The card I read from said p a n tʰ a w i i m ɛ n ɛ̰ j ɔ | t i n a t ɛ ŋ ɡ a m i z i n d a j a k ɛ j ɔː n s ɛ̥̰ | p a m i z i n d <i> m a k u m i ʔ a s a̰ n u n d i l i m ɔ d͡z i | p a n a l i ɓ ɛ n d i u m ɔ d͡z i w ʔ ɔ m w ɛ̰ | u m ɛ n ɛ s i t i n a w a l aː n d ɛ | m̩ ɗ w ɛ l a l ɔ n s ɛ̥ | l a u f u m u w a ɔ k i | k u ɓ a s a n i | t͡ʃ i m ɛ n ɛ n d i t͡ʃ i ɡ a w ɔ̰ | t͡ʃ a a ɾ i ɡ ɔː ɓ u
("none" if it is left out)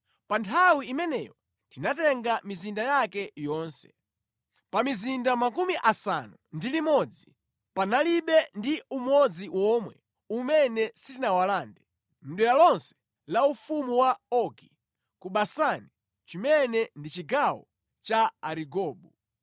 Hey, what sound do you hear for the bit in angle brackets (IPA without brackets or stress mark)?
a